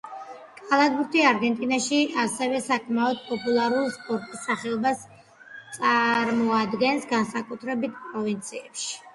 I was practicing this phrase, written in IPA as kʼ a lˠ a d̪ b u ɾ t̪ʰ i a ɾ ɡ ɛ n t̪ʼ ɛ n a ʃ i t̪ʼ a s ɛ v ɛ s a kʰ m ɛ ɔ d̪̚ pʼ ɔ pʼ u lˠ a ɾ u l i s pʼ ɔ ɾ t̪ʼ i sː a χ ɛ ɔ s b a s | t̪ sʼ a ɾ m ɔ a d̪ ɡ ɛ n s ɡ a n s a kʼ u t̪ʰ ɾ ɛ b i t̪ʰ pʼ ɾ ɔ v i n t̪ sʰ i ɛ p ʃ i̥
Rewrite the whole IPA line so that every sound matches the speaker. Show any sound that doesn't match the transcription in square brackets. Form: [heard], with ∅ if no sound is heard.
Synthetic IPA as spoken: kʼ a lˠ a d̪ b u ɾ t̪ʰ i a ɾ ɡ ɛ n t̪ʼ [i] n a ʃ i [∅] a s ɛ v ɛ s a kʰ m [a] ɔ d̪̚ pʼ ɔ pʼ u lˠ a ɾ u l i s pʼ ɔ ɾ t̪ʼ i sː a χ ɛ ɔ [∅] b a s | t̪ sʼ a ɾ m ɔ a d̪ ɡ ɛ n s ɡ a n s a kʼ u t̪ʰ ɾ ɛ b i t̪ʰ pʼ ɾ ɔ v i n t̪ sʰ i ɛ p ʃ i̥

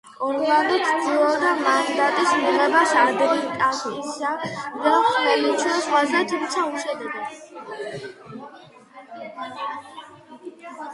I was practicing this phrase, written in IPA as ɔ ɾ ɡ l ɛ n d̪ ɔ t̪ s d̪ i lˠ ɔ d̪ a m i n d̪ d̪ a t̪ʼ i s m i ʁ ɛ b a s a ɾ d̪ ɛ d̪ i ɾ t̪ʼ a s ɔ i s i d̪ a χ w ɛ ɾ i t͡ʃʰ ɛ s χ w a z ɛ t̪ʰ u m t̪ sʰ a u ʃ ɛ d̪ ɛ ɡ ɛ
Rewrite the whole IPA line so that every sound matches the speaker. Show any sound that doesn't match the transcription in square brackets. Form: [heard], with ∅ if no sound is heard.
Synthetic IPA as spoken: ɔ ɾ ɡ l [a] n d̪ ɔ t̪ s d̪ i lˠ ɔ d̪ a m [a] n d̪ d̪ a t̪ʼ i s m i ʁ ɛ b a s a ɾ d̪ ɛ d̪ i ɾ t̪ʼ a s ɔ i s [a] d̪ a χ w ɛ [l] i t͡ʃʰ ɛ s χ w a z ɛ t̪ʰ u m t̪ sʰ a u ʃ ɛ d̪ ɛ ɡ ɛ

